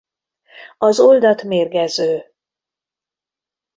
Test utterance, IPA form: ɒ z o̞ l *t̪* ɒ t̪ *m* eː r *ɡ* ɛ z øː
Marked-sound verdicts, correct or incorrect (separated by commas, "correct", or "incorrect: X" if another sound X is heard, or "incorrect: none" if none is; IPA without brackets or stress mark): incorrect: d̪, correct, correct